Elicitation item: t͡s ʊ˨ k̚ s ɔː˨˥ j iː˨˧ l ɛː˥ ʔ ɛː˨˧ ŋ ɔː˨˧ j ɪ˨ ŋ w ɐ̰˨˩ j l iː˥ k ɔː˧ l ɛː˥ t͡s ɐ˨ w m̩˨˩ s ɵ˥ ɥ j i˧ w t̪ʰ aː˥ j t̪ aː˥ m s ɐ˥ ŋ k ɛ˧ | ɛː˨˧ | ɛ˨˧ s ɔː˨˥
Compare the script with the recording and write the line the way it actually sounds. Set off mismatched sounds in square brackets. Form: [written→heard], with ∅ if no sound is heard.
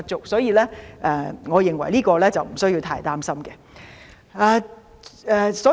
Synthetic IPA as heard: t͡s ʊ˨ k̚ s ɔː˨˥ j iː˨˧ l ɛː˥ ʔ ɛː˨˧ ŋ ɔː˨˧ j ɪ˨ ŋ w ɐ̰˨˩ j l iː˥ k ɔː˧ l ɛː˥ t͡s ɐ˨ w m̩˨˩ s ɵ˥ ɥ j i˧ w t̪ʰ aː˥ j t̪ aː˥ m s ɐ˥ [ŋ→m] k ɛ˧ | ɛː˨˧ | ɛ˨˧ s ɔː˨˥